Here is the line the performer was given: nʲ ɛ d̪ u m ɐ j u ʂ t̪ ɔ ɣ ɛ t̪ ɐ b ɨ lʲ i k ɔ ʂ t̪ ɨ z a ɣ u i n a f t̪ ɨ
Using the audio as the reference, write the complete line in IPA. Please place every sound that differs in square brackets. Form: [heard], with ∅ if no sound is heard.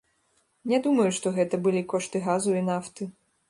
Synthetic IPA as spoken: nʲ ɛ d̪ u m ɐ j u ʂ t̪ ɔ ɣ ɛ t̪ ɐ b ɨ lʲ i k ɔ ʂ t̪ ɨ [ɣ] a [z] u i n a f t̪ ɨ